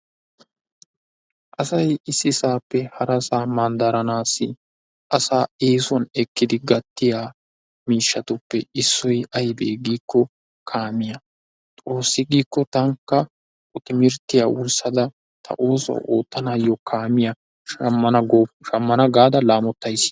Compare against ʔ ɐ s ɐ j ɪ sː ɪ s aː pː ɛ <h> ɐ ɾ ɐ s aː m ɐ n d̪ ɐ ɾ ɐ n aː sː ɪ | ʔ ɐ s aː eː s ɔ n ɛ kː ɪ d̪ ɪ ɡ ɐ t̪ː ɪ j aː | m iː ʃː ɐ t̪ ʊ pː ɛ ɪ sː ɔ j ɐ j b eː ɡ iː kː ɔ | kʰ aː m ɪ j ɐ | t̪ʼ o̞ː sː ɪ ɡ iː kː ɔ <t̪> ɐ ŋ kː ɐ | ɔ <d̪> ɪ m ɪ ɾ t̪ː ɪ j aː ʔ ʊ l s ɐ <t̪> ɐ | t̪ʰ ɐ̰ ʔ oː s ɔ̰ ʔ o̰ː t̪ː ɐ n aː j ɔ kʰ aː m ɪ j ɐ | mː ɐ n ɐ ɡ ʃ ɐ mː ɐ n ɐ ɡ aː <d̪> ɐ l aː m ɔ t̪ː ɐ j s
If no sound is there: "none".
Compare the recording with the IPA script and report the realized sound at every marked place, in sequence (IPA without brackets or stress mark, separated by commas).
h, t̪, t̪, d̪, d̪